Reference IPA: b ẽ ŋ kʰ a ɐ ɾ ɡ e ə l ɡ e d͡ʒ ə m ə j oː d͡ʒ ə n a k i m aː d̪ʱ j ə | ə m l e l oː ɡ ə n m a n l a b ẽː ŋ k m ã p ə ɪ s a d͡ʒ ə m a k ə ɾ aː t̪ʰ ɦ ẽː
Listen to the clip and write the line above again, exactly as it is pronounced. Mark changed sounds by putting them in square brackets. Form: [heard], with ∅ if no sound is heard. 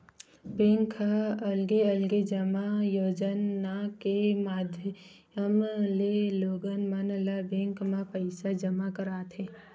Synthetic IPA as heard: b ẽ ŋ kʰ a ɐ [l] ɡ e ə l ɡ e d͡ʒ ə m [a] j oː d͡ʒ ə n a k [e] m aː d̪ʱ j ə | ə m l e l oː ɡ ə n m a n l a b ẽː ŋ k m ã p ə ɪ s a d͡ʒ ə m a k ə ɾ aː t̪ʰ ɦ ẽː